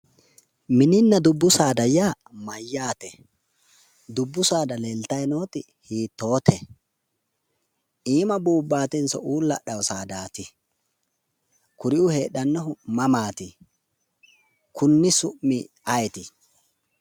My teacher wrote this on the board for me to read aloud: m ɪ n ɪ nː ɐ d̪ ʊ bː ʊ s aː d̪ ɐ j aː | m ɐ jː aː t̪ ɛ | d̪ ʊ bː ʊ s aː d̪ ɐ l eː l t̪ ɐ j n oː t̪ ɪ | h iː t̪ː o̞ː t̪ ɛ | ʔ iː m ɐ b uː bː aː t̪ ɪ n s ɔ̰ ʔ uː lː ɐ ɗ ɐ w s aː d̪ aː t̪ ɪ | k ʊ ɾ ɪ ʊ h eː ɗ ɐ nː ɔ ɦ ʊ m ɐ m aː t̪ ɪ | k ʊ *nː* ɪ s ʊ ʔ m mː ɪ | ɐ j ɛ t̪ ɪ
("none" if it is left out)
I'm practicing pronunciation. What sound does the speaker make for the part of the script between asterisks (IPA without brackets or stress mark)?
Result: nː